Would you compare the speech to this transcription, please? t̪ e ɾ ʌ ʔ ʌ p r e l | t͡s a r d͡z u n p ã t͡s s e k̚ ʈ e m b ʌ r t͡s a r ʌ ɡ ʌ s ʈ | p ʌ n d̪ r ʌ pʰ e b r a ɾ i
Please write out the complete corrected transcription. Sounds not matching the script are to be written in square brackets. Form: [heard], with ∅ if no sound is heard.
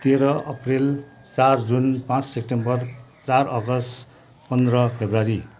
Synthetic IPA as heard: t̪ e ɾ ʌ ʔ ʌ p r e l | t͡s a r d͡z u n p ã t͡s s e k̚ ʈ e m b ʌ r t͡s a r ʌ ɡ ʌ s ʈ | p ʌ n d̪ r ʌ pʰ e b r a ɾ i